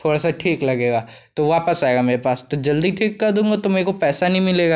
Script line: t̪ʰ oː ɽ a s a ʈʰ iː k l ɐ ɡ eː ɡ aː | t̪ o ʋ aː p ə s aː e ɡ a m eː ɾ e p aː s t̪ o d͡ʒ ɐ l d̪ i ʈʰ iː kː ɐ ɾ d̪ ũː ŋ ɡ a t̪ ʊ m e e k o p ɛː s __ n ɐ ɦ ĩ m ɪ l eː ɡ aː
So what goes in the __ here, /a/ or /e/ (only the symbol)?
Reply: a